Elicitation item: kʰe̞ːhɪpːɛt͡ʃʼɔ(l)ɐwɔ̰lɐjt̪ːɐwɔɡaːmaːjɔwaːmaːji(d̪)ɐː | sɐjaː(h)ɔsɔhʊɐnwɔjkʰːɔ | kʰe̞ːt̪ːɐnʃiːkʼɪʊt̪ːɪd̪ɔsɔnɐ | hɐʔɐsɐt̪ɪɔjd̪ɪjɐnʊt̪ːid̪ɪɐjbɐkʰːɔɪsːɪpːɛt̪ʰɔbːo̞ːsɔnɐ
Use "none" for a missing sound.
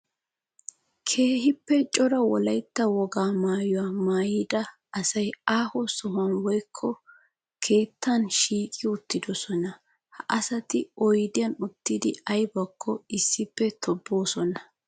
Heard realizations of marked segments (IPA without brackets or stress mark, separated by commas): ɾ, d̪, h